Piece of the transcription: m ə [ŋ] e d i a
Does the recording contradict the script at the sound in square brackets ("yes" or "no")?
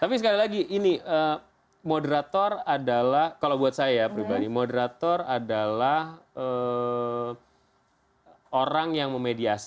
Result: yes